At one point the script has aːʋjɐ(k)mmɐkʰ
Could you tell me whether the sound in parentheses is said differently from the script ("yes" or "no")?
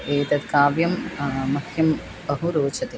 yes